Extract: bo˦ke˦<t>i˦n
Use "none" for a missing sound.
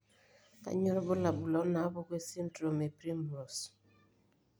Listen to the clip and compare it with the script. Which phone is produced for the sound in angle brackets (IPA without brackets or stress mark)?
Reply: s